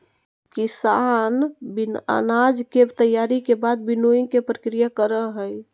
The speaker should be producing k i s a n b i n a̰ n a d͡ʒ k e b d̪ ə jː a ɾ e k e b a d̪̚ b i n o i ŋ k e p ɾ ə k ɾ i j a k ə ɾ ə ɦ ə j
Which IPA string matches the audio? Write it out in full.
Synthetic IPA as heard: k i s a n b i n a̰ n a d͡ʒ k e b t̪ ə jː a ɾ i k e b a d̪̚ b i n o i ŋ k e p ɾ ə k ɾ i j a k ə ɾ ə ɦ ə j